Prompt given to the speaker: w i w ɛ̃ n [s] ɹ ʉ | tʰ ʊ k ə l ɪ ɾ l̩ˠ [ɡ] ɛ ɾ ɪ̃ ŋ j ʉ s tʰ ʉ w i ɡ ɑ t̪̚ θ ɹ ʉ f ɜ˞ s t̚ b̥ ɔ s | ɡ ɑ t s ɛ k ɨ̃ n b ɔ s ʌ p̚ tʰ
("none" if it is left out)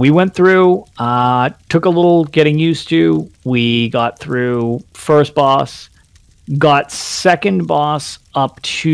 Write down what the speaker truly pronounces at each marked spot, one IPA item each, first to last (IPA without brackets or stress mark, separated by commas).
θ, ɡ